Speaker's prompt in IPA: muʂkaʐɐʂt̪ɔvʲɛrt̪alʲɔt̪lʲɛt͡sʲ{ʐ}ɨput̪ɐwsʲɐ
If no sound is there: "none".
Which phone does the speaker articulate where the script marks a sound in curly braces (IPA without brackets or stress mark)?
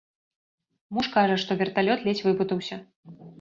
v